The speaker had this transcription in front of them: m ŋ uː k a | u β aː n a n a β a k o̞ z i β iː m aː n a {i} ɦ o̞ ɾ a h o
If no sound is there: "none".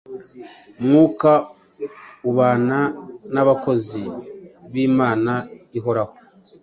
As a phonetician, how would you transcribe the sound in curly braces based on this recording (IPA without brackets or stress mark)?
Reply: i